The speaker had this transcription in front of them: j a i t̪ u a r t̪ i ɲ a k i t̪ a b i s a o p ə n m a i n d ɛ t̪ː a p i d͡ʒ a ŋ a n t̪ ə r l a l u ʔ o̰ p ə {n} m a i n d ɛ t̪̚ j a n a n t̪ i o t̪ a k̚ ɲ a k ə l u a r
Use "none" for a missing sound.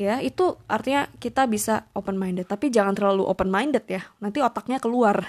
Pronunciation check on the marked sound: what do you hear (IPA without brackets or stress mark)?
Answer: n